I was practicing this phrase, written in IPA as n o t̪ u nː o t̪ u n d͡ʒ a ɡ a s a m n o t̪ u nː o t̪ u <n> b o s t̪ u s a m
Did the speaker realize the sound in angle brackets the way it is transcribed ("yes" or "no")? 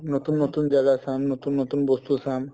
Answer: yes